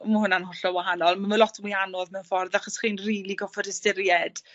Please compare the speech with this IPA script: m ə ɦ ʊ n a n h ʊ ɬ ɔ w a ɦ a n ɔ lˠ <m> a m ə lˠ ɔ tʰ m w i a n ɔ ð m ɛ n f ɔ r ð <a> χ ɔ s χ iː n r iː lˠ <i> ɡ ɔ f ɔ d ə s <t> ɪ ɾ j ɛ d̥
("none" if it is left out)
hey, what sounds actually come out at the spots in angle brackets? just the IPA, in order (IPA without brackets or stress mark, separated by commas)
m, a, i, t